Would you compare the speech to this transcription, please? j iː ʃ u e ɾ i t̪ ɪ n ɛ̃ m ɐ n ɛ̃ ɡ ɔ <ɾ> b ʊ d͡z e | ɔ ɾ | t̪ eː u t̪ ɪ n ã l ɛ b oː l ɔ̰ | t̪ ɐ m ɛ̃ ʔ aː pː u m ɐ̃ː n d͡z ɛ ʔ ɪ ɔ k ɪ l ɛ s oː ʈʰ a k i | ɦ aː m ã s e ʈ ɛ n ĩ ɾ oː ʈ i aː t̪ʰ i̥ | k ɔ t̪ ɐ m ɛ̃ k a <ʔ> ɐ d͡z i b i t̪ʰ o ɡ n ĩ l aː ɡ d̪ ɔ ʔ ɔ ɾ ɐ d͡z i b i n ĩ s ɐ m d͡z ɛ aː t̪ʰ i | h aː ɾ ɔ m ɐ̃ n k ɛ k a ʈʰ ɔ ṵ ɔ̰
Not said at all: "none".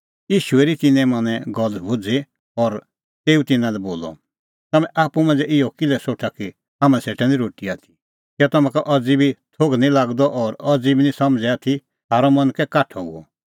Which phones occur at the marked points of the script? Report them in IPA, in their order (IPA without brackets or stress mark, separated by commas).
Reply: l, ʔ